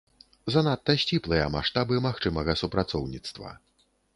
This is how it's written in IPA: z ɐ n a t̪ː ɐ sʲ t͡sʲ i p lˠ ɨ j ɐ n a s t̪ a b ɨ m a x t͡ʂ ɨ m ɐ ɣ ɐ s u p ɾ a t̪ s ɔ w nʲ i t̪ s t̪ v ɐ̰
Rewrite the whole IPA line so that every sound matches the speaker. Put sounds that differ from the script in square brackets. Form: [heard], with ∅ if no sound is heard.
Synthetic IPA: z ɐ n a t̪ː ɐ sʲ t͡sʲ i p lˠ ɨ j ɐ [m] a [ʂ] t̪ a b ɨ m a x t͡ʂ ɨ m ɐ ɣ ɐ s u p ɾ a t̪ s ɔ w nʲ i t̪ s t̪ v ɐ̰